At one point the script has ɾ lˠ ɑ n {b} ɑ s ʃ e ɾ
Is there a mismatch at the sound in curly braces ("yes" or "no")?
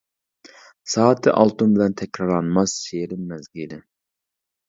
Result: yes